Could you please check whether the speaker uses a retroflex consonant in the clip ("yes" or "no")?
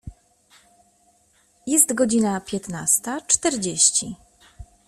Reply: yes